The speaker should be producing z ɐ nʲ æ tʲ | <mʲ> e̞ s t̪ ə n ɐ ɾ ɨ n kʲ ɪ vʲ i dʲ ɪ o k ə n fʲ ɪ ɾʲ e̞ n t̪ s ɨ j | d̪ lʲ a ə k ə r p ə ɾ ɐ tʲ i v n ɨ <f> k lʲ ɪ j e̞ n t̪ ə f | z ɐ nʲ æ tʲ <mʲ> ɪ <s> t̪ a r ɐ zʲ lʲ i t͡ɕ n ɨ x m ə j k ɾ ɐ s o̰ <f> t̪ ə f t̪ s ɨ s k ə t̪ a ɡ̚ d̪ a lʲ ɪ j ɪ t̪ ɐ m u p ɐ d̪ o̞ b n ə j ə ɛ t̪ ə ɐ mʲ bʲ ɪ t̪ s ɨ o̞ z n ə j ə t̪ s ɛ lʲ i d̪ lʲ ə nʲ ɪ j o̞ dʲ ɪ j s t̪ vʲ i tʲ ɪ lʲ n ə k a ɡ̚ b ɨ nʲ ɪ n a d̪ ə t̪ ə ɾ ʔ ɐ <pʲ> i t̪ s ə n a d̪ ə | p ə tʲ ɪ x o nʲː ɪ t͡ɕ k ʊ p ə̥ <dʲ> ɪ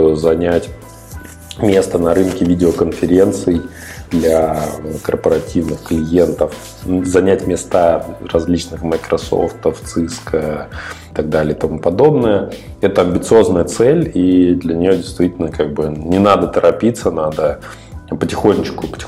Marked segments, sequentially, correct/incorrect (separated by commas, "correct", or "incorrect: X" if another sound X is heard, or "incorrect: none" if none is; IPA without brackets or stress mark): correct, incorrect: x, correct, correct, correct, correct, incorrect: tʲ